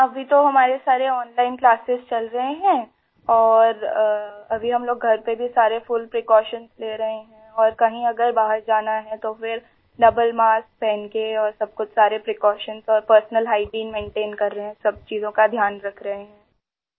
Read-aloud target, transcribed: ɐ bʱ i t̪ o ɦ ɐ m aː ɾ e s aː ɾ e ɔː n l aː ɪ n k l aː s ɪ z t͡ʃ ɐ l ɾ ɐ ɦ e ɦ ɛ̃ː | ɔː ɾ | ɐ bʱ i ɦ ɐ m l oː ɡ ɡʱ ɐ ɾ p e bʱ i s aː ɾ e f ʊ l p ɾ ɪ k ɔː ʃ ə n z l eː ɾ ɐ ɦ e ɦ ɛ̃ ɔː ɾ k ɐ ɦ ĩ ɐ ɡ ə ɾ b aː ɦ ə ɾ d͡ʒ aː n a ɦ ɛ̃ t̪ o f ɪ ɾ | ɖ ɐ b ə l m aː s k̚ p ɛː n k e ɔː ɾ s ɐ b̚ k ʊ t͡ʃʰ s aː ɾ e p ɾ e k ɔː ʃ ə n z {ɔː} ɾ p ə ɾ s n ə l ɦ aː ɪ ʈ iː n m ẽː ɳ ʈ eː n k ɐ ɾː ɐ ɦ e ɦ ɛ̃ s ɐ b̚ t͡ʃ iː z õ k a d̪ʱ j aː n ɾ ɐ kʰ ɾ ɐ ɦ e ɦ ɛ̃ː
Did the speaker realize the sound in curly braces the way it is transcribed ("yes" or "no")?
yes